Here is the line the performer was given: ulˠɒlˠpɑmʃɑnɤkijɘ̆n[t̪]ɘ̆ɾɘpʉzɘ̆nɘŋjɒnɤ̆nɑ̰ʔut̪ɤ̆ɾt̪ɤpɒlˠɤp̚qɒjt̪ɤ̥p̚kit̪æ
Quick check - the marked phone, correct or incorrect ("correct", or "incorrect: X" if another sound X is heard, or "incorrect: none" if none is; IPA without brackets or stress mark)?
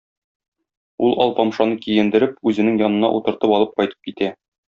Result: incorrect: d̪